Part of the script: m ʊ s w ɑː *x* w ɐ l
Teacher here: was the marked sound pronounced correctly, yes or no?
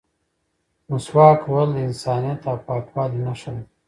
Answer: no